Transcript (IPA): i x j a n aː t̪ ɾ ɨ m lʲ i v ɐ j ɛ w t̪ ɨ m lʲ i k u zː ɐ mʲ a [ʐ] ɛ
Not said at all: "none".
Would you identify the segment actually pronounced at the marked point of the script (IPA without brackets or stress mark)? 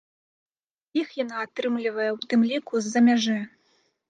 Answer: ʐ